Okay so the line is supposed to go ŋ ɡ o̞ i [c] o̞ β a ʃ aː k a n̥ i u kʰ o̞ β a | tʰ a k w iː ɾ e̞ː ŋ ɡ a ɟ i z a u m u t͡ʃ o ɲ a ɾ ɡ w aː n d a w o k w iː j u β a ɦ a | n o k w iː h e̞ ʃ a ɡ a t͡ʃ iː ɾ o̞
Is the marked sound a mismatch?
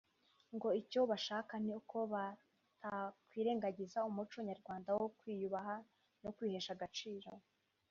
no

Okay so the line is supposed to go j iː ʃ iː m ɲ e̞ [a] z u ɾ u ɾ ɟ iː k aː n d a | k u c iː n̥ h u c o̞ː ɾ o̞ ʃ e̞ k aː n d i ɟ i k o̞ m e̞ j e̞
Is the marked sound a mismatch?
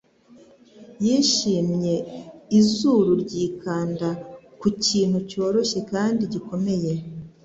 yes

